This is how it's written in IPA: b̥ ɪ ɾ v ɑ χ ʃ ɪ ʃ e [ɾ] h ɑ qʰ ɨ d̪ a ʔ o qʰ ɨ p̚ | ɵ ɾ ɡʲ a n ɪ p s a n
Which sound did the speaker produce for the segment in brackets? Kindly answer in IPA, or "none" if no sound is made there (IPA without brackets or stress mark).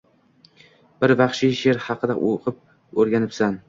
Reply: ɾ